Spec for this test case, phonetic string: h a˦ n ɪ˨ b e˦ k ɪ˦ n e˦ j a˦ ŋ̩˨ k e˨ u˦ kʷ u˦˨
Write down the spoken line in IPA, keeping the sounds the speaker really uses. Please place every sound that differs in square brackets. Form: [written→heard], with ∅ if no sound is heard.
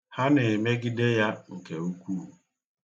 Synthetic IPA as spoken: h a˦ n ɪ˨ [b→m] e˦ [k→ɡ] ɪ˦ [n→d] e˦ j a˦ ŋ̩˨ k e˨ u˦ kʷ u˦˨